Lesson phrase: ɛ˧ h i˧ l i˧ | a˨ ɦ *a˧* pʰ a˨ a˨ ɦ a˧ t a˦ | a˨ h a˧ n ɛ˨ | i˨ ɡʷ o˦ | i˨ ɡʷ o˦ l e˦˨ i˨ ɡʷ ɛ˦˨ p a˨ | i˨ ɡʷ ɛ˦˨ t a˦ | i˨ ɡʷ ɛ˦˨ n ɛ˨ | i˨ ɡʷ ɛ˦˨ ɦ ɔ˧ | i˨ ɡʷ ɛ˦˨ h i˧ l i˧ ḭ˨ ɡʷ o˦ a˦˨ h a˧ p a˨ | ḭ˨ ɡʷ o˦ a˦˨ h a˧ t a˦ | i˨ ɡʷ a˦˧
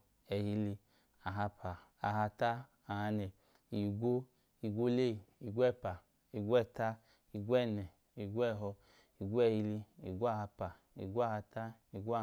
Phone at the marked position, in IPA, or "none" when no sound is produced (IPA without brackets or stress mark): a˧